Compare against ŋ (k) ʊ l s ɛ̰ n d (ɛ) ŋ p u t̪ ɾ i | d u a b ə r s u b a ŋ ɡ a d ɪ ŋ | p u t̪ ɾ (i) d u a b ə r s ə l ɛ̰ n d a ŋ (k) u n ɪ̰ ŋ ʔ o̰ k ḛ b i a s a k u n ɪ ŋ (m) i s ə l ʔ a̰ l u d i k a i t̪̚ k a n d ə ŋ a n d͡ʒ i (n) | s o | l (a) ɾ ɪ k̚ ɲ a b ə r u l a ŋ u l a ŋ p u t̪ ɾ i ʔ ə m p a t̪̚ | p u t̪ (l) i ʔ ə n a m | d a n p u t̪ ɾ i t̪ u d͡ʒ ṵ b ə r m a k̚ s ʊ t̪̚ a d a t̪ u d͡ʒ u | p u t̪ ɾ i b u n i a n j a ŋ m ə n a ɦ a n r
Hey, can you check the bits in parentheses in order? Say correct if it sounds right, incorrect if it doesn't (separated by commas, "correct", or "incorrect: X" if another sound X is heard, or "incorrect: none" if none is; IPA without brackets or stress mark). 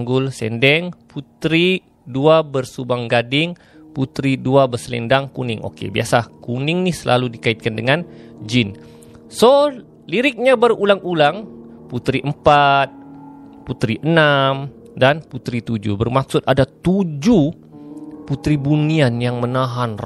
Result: incorrect: ɡ, correct, correct, correct, incorrect: n, correct, incorrect: i, incorrect: ɾ